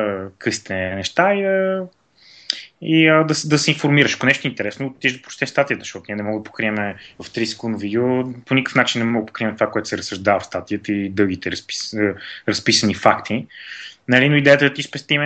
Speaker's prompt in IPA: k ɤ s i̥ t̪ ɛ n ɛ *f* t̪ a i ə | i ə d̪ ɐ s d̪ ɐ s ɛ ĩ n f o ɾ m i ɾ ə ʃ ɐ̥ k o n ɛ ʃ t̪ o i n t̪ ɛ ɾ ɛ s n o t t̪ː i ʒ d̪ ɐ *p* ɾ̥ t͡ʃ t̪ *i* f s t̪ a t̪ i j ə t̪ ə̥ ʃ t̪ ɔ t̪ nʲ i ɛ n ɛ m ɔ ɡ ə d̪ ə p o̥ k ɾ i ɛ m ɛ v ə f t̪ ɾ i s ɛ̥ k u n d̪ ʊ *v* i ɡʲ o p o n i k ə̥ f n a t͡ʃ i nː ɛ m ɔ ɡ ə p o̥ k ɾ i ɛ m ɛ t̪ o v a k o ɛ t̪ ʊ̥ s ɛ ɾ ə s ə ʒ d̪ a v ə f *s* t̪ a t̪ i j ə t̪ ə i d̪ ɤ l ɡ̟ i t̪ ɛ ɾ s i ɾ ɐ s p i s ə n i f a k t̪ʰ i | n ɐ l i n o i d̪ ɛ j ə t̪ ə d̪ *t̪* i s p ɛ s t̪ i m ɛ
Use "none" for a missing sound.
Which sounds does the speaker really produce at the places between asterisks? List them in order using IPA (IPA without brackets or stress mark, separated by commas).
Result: ʃ, p, ɛ, v, s, t̪